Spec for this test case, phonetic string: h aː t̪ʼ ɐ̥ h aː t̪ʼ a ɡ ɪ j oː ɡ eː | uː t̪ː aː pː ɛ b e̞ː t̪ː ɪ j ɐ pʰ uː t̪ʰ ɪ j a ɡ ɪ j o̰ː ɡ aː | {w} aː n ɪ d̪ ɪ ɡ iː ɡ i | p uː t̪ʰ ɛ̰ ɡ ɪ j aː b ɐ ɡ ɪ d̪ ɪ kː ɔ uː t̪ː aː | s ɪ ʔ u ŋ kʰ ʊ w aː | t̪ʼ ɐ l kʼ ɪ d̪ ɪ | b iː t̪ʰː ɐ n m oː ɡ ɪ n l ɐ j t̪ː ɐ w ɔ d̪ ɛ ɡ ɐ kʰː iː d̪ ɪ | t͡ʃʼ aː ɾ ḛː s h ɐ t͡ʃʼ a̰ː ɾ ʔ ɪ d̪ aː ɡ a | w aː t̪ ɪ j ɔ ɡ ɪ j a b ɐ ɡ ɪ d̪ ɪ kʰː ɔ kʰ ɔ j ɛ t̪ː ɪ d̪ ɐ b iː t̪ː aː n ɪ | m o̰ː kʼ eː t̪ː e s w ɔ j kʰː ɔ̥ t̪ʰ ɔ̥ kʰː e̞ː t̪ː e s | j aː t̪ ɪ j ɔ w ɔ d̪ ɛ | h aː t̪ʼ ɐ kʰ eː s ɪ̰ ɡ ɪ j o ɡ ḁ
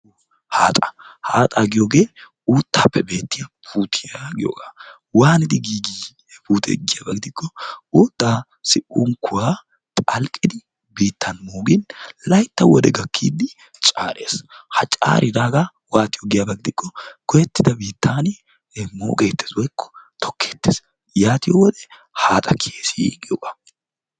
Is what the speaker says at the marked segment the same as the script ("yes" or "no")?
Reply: yes